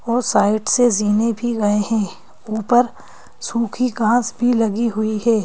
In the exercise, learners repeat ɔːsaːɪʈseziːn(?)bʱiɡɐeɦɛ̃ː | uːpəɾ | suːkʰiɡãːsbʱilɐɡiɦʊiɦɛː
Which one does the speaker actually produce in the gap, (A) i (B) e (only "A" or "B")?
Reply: B